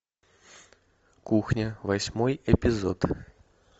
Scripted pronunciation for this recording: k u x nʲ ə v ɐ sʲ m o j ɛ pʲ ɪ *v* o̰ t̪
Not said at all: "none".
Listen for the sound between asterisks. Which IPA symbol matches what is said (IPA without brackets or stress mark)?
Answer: z